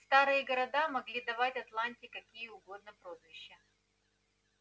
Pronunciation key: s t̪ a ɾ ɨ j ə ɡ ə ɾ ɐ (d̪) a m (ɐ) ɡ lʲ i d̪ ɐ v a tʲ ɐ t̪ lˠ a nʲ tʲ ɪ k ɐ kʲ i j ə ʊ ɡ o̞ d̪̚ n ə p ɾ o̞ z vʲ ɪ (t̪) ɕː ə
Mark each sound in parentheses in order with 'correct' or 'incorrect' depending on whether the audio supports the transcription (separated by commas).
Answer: correct, correct, incorrect